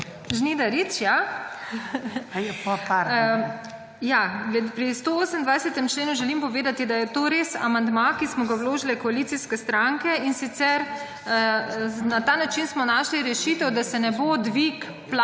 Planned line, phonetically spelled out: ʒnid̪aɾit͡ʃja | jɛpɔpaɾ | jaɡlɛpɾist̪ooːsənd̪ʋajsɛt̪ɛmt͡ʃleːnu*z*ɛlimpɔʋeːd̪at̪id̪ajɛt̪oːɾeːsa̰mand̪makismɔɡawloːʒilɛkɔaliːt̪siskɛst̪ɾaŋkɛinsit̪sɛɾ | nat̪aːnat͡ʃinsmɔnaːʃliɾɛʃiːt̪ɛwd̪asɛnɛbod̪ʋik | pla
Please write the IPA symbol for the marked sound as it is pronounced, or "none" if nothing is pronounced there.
ʒ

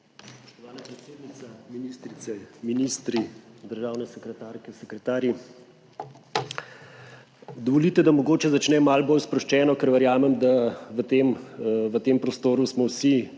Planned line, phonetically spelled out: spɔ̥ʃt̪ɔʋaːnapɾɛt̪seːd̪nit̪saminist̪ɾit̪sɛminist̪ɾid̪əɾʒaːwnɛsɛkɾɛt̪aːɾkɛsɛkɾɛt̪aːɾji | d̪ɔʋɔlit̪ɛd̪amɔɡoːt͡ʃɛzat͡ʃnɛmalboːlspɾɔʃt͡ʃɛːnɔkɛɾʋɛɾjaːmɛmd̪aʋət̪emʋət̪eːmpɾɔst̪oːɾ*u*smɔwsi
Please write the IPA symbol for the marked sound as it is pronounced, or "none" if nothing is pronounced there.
u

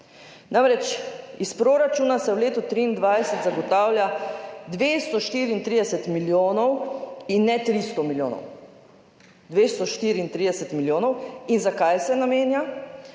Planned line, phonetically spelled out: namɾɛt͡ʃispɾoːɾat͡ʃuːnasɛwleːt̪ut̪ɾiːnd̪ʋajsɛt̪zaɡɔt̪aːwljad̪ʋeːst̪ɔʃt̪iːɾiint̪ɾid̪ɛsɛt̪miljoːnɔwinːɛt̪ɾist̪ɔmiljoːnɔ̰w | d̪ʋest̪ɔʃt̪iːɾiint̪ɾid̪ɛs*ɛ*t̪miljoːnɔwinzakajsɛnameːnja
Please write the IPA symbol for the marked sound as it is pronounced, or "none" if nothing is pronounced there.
ɛ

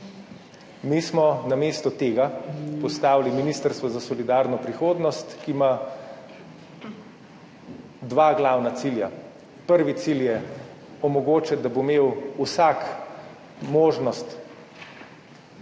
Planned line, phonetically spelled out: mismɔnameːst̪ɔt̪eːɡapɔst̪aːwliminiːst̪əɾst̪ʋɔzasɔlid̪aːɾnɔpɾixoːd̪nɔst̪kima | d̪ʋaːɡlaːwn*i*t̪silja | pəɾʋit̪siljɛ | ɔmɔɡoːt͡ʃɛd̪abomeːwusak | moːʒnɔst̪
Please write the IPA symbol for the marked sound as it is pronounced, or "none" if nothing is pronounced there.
a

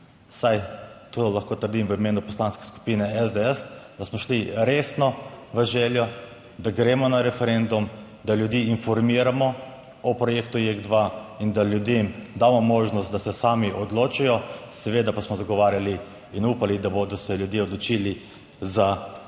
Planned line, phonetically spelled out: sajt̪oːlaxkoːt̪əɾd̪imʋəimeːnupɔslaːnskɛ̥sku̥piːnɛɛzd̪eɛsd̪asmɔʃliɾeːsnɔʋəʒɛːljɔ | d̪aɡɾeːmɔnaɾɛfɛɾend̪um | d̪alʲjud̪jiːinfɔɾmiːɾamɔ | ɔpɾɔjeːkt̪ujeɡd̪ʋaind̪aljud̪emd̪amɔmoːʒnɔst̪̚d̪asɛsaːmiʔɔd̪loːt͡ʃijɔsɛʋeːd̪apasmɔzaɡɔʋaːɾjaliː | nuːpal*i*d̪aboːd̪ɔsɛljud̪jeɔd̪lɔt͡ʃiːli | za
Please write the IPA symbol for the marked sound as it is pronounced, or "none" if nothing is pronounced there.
i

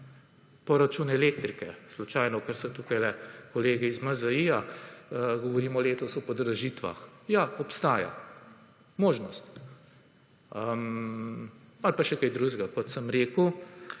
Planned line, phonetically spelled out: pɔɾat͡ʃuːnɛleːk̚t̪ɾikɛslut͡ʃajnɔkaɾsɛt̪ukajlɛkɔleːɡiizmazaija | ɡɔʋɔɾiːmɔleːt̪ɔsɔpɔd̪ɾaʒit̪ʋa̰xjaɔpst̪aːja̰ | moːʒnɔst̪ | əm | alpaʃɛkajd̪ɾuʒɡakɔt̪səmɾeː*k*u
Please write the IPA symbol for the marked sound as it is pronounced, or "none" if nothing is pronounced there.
k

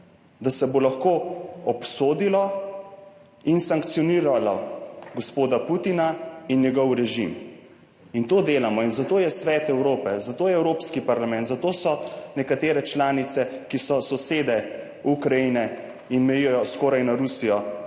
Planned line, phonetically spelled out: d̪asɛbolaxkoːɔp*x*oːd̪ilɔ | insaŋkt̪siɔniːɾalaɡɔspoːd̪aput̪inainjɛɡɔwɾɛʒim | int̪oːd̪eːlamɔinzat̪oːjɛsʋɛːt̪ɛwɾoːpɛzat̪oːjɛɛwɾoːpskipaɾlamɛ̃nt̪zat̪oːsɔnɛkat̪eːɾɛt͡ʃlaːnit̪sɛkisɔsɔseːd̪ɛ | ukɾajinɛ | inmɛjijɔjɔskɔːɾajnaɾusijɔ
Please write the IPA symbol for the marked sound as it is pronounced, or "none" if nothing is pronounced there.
s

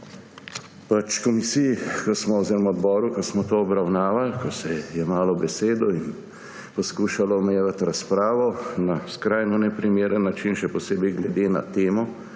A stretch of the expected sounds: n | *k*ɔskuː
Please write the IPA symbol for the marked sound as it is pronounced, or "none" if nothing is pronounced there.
p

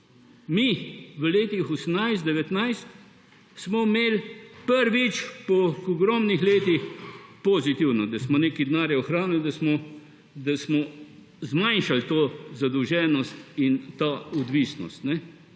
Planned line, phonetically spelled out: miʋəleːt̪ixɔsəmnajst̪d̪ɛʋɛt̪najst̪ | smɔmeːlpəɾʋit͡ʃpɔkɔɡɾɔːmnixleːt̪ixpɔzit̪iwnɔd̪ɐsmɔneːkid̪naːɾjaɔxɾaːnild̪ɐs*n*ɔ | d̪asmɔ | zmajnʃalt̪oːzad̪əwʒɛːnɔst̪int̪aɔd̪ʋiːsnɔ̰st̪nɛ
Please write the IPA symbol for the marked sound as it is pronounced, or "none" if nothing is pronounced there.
m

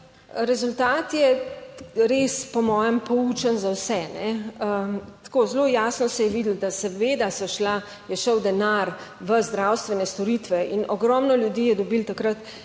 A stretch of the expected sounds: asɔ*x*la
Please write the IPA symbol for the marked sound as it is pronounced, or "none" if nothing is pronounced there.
ʃ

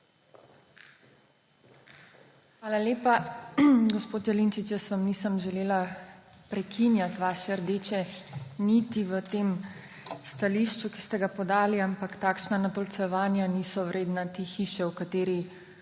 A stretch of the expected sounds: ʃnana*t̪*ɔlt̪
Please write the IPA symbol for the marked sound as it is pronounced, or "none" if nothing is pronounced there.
t̪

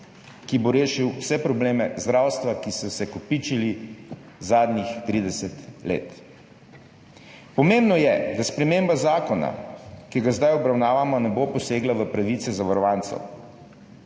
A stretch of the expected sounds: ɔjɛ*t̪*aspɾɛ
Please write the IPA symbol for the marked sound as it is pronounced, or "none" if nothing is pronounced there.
d̪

